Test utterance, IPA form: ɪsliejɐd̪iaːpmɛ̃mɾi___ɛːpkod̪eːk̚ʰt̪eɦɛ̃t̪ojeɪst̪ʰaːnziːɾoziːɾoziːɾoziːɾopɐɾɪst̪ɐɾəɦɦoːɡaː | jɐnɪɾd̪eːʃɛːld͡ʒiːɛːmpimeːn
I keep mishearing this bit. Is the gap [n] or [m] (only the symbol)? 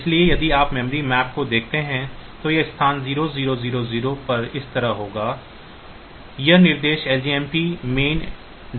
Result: m